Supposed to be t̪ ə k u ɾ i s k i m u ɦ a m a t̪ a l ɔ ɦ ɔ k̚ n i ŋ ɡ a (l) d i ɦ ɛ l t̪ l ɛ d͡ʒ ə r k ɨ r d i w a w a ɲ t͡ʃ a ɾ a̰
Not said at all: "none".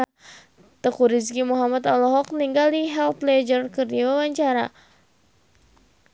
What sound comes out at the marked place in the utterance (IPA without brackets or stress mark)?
l